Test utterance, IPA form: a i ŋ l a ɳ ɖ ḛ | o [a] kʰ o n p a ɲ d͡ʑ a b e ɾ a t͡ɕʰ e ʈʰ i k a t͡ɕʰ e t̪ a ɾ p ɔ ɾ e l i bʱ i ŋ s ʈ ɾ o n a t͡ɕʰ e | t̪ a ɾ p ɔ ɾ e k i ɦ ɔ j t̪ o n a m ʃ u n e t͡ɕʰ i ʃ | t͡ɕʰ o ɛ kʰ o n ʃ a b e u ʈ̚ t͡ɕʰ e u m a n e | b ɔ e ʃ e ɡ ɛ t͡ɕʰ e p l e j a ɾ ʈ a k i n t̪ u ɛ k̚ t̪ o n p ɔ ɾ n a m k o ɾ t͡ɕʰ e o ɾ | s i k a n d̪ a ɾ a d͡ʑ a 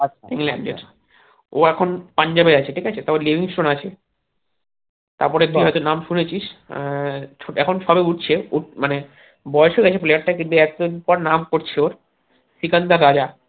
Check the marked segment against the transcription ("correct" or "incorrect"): incorrect